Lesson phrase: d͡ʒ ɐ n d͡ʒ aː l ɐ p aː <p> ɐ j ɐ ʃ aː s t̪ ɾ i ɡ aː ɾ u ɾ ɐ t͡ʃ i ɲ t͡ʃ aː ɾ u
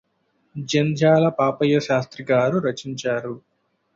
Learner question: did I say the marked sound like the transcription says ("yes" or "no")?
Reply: yes